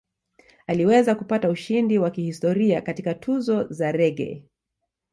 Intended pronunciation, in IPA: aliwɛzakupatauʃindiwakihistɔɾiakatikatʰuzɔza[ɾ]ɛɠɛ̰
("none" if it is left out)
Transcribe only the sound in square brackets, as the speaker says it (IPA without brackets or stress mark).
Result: ɾ